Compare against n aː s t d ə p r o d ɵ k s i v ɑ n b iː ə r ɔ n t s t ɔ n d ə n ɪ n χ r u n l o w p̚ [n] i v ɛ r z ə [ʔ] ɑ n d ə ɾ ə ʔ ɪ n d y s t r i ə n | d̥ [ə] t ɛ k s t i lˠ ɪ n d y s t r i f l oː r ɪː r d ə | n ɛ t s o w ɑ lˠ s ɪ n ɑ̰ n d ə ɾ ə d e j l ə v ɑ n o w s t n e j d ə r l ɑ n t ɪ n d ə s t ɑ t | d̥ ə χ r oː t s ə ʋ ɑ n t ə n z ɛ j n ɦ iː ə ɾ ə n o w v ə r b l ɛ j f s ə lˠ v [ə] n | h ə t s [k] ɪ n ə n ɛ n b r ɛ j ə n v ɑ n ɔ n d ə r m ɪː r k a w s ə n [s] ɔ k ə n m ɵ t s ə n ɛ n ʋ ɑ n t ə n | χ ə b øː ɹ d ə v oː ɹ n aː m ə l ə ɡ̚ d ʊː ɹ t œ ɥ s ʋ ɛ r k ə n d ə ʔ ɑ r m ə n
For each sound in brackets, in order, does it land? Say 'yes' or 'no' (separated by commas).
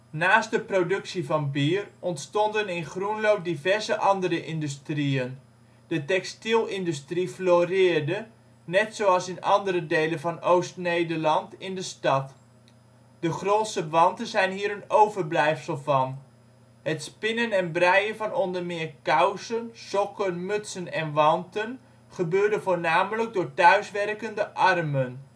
no, yes, yes, no, no, yes